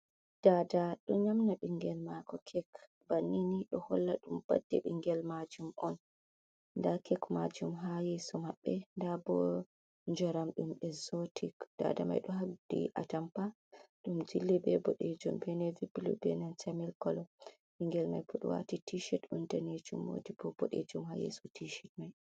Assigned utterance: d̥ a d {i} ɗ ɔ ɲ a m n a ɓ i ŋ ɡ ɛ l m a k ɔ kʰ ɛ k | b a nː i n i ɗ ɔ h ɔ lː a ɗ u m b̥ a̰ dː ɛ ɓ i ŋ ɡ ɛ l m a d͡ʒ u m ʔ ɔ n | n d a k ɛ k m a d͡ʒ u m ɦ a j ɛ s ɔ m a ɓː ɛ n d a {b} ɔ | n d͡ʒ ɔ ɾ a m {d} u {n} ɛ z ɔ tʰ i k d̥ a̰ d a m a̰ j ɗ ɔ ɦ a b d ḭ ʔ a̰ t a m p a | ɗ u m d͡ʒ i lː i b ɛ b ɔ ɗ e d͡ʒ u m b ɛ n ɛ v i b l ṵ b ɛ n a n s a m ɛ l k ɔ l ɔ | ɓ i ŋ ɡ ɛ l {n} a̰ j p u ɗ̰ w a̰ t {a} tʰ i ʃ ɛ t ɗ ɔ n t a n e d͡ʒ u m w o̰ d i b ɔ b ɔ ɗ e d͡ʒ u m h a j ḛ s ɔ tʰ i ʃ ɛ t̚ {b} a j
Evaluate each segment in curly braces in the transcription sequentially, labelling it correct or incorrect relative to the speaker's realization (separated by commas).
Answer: incorrect, correct, incorrect, incorrect, incorrect, incorrect, incorrect